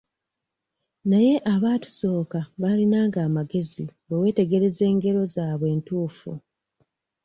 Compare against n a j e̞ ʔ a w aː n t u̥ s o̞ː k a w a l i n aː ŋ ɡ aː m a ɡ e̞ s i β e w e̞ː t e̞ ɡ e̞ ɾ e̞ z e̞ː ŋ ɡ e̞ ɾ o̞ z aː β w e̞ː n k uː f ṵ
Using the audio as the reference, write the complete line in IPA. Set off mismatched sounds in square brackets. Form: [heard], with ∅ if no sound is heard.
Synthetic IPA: n a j e̞ ʔ a [β] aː [∅] t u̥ s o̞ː k a [β] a l i n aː ŋ ɡ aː m a ɡ e̞ [z] i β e w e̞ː t e̞ ɡ e̞ ɾ e̞ z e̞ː ŋ ɡ e̞ ɾ o̞ z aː β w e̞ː n [t] uː f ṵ